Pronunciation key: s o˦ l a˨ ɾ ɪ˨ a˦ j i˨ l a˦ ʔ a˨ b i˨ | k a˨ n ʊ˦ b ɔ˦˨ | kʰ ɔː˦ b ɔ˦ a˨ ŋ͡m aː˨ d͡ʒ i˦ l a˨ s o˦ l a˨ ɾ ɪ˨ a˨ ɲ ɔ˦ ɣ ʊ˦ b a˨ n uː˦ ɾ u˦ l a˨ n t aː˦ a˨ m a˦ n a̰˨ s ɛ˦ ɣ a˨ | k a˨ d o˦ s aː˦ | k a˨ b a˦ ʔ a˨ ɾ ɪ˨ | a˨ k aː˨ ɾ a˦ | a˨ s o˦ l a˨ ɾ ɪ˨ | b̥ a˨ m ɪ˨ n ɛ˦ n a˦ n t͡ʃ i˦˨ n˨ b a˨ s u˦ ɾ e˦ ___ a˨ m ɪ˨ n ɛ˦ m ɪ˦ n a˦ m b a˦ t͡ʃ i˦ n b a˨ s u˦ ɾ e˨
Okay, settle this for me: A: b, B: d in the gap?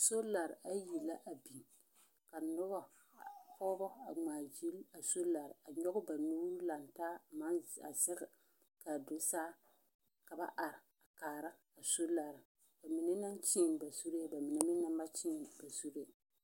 A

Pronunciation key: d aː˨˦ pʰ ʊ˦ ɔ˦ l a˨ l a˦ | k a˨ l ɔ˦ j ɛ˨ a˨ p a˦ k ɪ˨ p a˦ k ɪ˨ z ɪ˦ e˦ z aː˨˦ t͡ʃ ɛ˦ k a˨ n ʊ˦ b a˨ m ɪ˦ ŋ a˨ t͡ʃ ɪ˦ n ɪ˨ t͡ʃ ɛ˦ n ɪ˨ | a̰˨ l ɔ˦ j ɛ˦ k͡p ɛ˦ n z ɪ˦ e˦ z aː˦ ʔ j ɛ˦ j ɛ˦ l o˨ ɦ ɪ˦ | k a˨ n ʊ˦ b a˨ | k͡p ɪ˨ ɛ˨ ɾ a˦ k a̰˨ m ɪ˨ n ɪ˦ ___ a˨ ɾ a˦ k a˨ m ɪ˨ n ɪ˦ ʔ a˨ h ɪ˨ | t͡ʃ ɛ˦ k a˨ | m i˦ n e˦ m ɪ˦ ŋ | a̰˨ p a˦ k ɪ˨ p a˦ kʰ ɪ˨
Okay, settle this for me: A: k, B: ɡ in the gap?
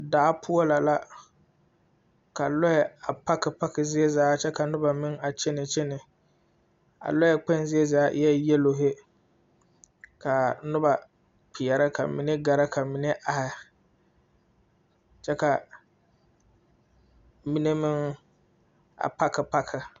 B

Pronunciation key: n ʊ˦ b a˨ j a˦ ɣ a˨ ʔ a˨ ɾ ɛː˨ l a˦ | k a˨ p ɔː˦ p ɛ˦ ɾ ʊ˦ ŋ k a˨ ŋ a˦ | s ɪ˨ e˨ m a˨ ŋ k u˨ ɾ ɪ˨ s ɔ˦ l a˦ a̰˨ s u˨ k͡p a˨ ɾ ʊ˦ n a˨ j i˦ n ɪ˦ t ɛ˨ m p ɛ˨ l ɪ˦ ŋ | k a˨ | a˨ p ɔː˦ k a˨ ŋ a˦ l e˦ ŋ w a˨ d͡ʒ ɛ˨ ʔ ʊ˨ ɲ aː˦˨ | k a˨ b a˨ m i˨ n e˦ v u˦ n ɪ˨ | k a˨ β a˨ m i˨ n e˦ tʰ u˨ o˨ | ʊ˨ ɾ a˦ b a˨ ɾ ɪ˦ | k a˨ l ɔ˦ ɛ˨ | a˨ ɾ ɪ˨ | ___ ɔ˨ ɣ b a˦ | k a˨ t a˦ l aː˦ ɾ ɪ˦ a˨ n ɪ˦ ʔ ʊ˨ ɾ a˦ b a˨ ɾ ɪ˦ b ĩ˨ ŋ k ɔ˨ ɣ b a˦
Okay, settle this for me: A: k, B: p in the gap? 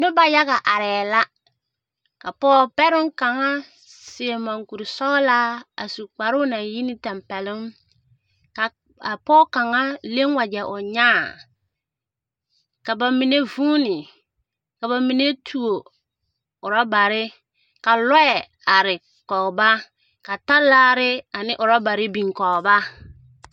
A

